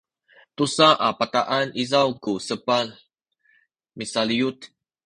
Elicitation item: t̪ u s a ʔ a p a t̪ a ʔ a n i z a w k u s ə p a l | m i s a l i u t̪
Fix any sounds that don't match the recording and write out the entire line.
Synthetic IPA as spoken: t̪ u s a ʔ a p a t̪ a ʔ a n i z a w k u s ə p a l | m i s a l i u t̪